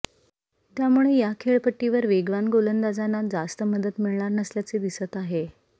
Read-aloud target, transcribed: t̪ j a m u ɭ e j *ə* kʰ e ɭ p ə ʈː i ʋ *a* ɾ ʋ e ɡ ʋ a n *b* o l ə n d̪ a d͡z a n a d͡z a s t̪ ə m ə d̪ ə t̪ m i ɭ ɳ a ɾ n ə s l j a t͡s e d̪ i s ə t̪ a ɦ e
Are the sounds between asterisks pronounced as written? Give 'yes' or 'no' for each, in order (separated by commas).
no, no, no